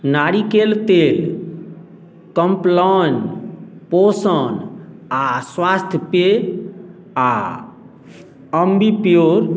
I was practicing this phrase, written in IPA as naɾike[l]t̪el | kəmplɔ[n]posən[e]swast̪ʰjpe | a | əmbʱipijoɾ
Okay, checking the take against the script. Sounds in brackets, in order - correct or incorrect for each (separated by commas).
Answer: correct, correct, incorrect